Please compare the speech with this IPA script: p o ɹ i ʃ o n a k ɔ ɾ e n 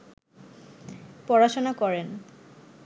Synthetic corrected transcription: p ɔ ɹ a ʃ o n a k ɔ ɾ e n